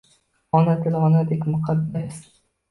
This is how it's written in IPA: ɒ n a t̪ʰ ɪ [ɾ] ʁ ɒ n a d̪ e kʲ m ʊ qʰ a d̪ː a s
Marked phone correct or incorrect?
incorrect